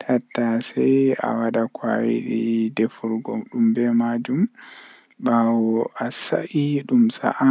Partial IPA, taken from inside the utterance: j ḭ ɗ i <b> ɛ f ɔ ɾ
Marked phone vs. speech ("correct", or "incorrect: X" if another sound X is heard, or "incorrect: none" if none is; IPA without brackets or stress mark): incorrect: d